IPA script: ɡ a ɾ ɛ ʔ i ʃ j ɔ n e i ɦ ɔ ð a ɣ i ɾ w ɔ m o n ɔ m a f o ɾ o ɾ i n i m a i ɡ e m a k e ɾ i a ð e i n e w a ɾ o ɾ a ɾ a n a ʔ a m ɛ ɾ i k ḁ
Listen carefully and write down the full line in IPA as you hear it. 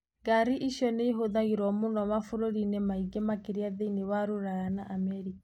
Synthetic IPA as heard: ɡ a ɾ i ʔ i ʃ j ɔ n e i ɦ o ð a ɣ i ɾ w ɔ m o n ɔ m a f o ɾ o ɾ i n e m a i ɡ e m a k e ɾ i a ð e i n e w a ɾ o ɾ a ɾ a n a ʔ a m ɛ ɾ i k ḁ